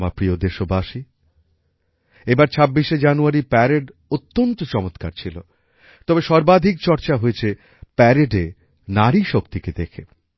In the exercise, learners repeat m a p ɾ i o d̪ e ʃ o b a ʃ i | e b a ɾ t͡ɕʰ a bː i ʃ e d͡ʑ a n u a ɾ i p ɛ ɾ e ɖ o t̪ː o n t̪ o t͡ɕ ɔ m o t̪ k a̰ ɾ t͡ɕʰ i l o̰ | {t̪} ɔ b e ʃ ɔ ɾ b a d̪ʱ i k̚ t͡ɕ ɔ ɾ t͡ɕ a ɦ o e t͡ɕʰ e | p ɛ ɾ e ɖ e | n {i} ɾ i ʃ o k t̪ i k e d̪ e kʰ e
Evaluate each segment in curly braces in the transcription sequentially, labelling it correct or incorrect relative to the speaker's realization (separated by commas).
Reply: correct, incorrect